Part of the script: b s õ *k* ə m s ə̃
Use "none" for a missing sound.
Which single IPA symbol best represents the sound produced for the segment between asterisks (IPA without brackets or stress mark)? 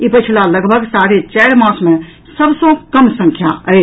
k